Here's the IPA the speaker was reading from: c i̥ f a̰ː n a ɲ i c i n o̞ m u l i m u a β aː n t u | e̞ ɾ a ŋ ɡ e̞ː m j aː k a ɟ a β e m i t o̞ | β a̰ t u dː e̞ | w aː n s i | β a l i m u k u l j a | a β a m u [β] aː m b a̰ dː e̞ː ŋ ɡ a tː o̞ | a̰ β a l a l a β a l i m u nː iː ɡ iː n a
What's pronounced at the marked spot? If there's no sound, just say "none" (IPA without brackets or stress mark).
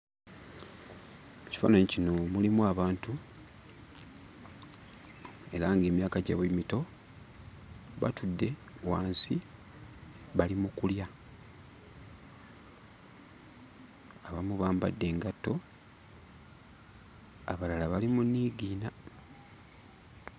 β